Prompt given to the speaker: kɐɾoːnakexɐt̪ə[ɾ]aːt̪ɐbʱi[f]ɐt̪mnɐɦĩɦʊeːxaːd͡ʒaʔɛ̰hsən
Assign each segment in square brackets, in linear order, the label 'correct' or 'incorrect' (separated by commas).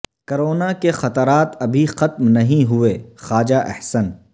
correct, incorrect